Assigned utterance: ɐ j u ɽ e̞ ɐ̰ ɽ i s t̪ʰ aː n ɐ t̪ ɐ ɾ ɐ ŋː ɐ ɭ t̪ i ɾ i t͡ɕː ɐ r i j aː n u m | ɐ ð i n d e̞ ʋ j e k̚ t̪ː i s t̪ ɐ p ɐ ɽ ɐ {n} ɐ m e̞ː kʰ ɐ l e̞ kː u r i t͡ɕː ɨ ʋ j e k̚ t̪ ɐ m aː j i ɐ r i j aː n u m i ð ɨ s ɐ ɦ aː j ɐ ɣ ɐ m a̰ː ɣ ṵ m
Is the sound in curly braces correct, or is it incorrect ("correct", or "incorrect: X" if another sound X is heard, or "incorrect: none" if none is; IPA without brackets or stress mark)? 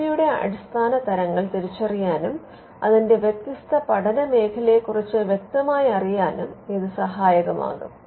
correct